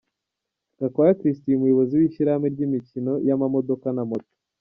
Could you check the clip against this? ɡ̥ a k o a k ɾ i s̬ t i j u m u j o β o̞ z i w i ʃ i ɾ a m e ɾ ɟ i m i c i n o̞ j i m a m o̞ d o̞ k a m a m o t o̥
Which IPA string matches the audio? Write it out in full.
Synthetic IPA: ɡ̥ a k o a k ɾ i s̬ t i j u m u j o β o̞ z i w i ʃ i ɾ a m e ɾ ɟ i m i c i n o̞ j a m a m o̞ d o̞ k a n a m o t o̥

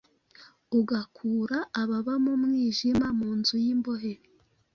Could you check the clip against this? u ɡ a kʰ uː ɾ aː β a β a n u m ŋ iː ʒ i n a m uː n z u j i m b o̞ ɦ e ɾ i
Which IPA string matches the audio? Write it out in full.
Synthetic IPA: u ɡ a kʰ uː ɾ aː β a β a m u m ŋ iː ʒ i m a m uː n z u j i m b o̞ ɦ e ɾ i

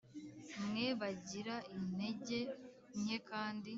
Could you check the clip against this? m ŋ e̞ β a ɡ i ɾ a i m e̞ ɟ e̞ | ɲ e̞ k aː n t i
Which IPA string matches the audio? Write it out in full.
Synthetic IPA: m ŋ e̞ β a ɟ i ɾ a i n e̞ ɟ e̞ | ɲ e̞ k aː n d i

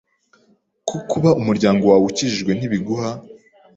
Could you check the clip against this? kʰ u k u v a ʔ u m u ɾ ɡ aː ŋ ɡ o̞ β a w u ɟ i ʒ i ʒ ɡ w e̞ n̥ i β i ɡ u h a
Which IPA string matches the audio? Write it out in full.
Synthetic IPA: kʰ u k u β a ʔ u m u ɾ ɟ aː ŋ ɡ o̞ w a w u c i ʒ i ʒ ɡ w e̞ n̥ i β i ɡ u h a

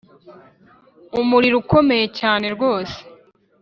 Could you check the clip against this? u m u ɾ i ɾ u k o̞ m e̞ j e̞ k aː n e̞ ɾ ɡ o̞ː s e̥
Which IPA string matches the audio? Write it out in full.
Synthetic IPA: u m u ɾ i ɾ u k o̞ m e̞ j e̞ c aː n e̞ ɾ ɡ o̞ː s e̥

